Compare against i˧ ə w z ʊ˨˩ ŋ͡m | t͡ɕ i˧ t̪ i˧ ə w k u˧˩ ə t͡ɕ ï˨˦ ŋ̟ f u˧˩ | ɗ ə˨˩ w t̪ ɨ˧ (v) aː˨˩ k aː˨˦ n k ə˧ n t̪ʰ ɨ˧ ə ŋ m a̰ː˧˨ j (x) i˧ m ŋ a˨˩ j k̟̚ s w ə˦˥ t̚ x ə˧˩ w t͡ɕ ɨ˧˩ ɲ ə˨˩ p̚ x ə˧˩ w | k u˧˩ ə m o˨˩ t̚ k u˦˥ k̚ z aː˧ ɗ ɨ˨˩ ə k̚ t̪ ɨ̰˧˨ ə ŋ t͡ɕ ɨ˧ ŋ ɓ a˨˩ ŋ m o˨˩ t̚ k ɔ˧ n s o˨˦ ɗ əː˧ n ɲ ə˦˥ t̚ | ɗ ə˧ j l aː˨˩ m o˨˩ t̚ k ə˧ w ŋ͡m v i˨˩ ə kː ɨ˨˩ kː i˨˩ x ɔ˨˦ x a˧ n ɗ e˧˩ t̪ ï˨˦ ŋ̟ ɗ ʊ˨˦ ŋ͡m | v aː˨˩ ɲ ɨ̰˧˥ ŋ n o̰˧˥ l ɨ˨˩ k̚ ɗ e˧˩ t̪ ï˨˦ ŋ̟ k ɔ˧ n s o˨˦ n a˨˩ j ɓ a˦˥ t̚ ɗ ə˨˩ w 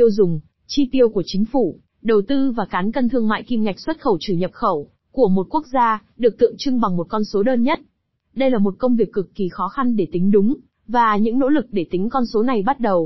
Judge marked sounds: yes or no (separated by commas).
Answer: yes, no